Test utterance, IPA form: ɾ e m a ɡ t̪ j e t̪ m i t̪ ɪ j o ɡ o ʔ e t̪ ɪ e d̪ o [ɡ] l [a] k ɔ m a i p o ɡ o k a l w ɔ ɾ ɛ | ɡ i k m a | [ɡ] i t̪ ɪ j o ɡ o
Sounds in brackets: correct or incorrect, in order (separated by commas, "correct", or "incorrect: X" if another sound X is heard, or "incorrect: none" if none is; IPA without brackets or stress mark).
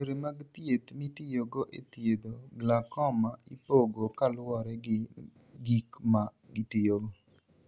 correct, correct, correct